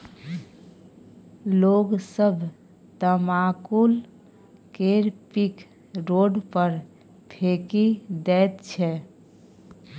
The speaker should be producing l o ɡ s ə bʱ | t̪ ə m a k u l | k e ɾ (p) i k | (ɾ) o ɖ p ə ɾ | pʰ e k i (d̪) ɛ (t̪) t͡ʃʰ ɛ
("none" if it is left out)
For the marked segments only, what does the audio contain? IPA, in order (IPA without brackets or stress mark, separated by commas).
p, ɾ, d̪, t̪